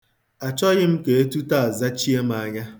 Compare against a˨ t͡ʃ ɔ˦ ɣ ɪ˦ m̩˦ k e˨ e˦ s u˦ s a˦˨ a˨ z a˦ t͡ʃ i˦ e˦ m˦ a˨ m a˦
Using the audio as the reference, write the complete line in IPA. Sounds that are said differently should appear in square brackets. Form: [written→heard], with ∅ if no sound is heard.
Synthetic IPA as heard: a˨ t͡ʃ ɔ˦ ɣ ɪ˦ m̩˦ k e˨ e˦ [s→t] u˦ [s→t] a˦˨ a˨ z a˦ t͡ʃ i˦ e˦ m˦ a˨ [m→ɲ] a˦